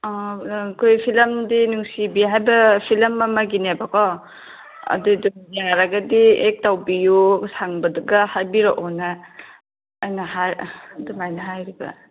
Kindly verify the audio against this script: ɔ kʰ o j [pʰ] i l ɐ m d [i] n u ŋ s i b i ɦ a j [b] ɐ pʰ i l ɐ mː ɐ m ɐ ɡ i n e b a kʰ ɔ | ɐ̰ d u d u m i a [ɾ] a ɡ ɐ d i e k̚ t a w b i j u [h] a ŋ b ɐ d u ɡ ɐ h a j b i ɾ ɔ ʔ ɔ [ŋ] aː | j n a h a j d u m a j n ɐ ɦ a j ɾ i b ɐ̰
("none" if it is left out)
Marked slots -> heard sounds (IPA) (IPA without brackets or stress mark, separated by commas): pʰ, i, b, ɾ, s, n